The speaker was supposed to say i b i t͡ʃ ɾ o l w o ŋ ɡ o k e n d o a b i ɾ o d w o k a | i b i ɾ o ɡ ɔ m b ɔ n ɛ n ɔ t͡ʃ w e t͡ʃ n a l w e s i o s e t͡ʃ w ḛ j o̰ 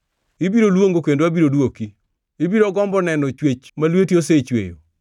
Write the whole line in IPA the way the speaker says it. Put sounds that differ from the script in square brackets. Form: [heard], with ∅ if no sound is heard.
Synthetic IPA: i b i [∅] ɾ o l w o ŋ ɡ o k e n d o a b i ɾ o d w o k [i] | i b i ɾ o ɡ ɔ m b ɔ n ɛ n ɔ t͡ʃ w e t͡ʃ [m] a l w e [t] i o s e t͡ʃ w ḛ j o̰